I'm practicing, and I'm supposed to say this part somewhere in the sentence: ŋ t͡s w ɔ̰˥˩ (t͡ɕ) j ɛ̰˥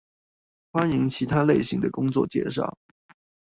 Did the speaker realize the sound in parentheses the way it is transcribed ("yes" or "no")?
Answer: yes